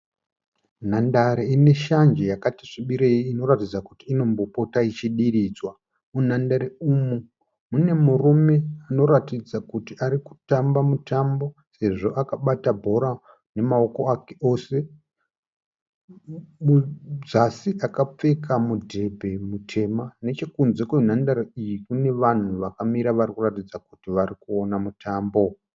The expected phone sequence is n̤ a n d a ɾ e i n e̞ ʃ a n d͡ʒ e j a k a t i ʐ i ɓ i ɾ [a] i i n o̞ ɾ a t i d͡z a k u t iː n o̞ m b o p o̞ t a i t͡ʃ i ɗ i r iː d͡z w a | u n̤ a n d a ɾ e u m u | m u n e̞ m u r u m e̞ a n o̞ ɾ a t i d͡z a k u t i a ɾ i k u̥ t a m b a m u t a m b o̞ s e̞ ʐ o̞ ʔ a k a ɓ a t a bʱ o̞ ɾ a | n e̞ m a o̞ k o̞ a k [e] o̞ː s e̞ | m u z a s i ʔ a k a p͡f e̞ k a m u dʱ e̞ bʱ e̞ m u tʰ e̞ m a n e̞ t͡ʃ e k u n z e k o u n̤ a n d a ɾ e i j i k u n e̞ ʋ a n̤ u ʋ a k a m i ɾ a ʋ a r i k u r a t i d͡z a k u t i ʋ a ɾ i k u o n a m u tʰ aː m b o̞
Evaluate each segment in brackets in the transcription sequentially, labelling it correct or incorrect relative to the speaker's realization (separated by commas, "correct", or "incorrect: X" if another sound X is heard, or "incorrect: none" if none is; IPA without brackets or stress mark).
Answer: incorrect: e, correct